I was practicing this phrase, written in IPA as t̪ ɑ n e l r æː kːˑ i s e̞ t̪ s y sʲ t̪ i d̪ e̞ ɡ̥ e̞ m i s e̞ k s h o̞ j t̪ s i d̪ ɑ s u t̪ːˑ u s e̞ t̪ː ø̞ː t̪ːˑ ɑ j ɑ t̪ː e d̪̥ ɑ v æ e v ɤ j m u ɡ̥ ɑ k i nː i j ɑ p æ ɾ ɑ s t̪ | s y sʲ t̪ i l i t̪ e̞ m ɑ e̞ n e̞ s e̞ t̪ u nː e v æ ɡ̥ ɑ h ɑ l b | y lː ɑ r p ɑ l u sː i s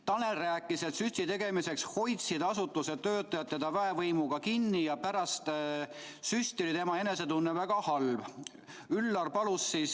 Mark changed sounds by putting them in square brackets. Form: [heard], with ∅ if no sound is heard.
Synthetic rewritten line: t̪ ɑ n e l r æː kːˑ i s e̞ t̪ s y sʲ t̪ i [t̪] e̞ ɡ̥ e̞ m i s e̞ k s h o̞ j t̪ s i d̪ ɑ s u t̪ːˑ u s e̞ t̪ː ø̞ː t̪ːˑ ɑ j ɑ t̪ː e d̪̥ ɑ v æ e v ɤ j m u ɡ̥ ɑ k i nː i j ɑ p æ ɾ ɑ s t̪ | s y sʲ t̪ i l i t̪ e̞ m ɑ e̞ n e̞ s e̞ t̪ u nː e v æ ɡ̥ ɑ h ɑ l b | y lː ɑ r p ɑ l u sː i s